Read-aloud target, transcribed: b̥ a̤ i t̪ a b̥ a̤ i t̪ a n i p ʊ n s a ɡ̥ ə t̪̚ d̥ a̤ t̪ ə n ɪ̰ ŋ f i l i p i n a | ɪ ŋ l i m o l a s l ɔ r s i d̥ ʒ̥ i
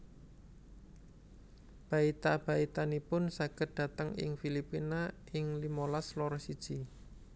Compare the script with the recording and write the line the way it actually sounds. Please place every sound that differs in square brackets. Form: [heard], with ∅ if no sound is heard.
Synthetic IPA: b̥ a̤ i t̪ a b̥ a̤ i t̪ a n i p ʊ n s a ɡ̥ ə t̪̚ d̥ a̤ t̪ ə [ŋ] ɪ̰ ŋ f i l i p i n a | ɪ ŋ l i m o l a s l ɔ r s i d̥ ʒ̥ i